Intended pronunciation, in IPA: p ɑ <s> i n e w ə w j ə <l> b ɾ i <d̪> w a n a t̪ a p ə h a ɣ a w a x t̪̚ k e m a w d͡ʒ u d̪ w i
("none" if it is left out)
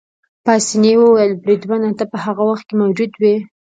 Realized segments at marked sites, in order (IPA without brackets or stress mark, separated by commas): s, l, d̪